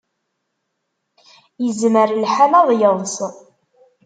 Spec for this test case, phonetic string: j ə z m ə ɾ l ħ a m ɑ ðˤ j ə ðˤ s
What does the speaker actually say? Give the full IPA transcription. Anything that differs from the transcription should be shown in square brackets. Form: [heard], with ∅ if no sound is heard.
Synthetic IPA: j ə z m ə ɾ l ħ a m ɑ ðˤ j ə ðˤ s